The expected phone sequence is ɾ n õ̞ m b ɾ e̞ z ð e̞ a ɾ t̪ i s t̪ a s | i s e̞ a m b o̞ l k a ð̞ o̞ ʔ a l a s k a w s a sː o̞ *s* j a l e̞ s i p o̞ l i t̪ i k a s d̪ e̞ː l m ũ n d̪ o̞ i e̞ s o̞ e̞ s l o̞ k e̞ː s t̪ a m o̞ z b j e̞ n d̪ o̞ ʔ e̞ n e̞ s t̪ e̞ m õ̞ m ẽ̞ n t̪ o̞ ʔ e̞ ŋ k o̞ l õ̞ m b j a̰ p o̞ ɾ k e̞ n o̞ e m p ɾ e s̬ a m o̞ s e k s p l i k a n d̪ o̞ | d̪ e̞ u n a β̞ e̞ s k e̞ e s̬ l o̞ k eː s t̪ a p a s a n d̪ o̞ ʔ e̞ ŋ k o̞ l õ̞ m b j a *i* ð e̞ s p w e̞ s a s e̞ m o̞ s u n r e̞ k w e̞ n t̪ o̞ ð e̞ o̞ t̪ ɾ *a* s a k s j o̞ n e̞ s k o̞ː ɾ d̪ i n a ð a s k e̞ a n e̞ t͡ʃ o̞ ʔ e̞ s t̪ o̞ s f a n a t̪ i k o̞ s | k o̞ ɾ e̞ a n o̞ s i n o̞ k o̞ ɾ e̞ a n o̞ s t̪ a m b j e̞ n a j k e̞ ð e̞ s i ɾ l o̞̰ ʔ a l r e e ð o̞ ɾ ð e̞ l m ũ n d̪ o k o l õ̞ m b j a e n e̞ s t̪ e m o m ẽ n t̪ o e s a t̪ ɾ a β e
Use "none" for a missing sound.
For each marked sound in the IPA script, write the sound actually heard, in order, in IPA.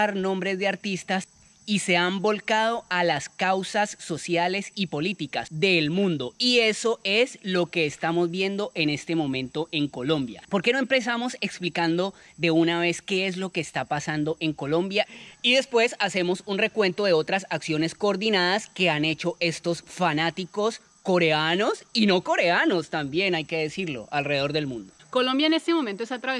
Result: s, i, a

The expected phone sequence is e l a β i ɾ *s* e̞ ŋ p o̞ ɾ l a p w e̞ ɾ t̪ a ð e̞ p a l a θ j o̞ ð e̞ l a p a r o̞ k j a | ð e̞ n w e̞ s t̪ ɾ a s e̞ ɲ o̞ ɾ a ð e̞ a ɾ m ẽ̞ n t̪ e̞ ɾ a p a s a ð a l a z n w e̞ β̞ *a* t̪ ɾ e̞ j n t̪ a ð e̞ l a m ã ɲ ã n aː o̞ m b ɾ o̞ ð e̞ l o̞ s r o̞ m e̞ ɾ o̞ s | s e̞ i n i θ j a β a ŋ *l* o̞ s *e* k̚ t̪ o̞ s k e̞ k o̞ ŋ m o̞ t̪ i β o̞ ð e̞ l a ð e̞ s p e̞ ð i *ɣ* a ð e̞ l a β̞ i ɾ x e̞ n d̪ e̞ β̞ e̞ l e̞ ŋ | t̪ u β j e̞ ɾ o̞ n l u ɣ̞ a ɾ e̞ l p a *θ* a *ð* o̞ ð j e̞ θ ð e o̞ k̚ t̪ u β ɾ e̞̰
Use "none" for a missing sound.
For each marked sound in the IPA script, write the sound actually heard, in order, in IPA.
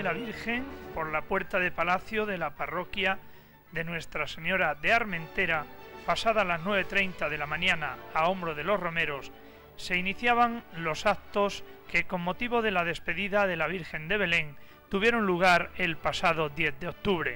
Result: x, e, l, a, ð, s, ð

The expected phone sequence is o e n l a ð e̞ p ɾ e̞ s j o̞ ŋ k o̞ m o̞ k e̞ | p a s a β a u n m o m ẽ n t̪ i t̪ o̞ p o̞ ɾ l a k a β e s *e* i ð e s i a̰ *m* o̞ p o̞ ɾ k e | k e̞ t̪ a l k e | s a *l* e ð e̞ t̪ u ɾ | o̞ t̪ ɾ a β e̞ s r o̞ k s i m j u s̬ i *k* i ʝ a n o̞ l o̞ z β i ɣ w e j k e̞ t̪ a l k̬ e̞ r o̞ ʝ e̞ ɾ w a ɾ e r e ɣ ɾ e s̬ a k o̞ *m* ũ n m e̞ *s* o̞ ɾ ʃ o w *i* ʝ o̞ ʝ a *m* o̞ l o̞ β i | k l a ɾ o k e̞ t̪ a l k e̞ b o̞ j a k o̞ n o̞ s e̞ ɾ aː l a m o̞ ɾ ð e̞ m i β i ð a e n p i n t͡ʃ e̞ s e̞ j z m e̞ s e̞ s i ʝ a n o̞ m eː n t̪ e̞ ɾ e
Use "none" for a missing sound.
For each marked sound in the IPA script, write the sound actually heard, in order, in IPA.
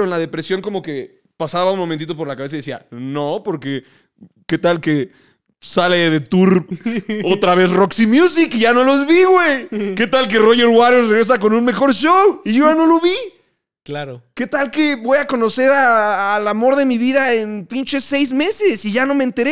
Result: a, n, l, k, n, x, i, n

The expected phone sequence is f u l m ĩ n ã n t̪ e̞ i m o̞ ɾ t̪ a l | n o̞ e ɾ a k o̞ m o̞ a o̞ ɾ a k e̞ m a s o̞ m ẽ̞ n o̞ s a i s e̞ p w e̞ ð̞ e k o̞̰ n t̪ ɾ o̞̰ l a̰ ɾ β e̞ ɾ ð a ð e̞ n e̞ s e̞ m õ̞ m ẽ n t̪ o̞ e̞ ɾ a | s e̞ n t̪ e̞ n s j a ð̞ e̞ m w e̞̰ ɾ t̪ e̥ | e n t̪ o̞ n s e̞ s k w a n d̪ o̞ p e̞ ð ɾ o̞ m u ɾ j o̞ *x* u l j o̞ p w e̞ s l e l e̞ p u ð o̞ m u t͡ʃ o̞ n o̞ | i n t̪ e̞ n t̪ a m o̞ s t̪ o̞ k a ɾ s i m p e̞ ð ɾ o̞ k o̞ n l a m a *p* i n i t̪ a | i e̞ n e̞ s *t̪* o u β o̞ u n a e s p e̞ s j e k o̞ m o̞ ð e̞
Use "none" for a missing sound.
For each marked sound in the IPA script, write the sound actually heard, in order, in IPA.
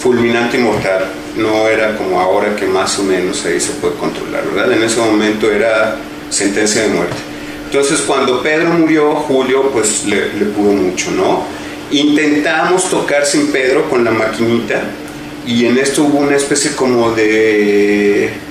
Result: x, k, t̪

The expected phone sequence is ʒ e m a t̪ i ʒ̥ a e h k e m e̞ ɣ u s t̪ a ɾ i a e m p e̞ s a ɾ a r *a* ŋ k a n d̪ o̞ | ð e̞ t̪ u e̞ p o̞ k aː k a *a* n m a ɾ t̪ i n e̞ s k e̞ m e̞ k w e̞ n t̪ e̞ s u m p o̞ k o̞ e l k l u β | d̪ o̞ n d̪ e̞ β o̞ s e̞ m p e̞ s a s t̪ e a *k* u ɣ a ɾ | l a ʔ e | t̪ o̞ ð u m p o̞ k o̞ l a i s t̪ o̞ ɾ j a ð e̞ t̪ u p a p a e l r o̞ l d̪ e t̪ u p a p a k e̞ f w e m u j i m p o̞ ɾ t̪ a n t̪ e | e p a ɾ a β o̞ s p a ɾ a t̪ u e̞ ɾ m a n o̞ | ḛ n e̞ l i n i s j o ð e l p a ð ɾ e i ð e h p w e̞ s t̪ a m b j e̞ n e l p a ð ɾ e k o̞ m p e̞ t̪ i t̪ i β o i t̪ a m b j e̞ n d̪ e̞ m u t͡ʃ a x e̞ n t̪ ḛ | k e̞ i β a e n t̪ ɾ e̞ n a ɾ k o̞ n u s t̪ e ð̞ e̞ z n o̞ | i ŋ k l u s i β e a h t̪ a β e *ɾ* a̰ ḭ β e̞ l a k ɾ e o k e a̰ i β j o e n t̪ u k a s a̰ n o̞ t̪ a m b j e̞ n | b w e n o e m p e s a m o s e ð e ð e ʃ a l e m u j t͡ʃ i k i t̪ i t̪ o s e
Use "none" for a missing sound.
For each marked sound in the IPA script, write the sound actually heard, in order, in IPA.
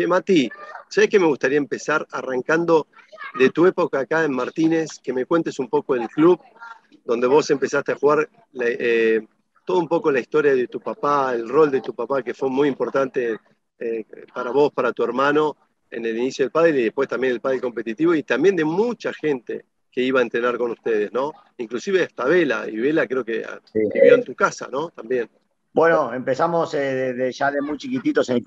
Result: a, e, x, l

